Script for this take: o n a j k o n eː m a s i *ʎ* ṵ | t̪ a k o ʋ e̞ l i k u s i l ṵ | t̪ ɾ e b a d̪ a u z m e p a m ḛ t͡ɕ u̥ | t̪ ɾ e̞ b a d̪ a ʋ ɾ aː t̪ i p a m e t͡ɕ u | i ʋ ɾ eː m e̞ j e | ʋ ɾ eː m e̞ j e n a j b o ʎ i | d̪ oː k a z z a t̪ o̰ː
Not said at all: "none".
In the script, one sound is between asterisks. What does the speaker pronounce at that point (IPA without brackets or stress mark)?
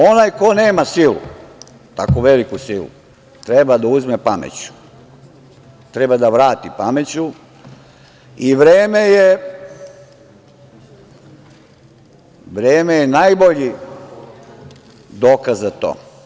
l